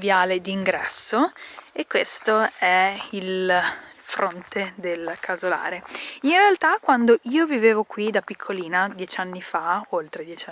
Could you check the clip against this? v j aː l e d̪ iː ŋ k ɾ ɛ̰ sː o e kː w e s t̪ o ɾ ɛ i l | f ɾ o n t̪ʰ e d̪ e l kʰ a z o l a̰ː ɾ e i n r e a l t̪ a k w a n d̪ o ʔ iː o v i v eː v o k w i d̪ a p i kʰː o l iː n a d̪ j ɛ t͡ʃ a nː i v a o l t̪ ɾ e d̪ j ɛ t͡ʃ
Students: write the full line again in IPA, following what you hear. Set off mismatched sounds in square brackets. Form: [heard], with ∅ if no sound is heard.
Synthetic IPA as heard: v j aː l e d̪ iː ŋ [ɡ] ɾ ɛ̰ sː o e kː w e s t̪ o [∅] ɛ i l | f ɾ o n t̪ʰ e d̪ e l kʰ a z o l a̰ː ɾ e i n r e a l t̪ a k w a n d̪ o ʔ iː o v i v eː v o k w i d̪ a p i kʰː o l iː n a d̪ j ɛ t͡ʃ a nː i [f] a o l t̪ ɾ e d̪ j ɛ t͡ʃ